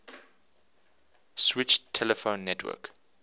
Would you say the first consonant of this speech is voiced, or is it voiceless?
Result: voiceless